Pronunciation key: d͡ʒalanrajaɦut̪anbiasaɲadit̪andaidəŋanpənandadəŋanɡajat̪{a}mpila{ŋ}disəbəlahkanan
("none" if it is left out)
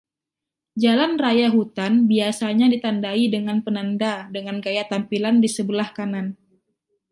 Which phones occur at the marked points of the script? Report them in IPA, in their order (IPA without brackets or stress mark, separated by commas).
a, n